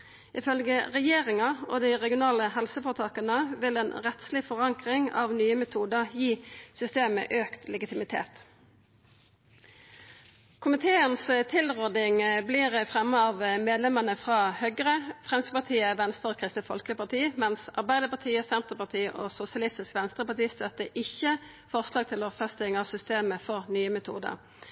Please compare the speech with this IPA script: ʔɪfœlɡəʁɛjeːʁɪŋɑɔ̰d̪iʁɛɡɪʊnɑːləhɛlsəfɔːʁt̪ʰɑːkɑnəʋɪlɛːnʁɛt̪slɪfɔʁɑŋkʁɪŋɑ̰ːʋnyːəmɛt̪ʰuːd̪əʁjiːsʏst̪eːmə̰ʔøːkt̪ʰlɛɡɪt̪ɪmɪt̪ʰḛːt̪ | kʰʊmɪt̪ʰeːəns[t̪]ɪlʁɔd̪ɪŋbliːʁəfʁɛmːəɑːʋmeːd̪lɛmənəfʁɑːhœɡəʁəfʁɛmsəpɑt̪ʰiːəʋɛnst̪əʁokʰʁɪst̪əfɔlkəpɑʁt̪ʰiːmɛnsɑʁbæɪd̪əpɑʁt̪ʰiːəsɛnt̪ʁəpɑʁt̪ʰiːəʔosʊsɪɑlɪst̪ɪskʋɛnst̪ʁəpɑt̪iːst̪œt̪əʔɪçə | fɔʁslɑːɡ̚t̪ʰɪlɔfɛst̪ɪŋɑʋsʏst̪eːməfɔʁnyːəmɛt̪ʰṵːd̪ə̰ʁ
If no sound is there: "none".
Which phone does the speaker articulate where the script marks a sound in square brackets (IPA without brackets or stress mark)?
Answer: t̪ʰ